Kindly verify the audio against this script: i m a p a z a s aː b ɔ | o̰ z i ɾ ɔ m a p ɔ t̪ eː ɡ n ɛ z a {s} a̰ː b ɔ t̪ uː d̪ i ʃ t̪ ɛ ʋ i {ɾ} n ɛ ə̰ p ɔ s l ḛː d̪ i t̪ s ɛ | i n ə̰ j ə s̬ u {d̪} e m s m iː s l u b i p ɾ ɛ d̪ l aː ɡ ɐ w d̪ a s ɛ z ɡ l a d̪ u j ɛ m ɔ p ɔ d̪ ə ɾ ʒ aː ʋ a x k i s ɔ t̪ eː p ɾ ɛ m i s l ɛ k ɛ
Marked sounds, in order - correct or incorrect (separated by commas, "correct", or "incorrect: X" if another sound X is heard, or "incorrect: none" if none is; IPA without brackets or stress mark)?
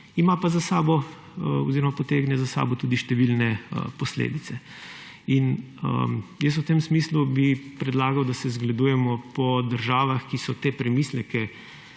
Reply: correct, incorrect: l, incorrect: t̪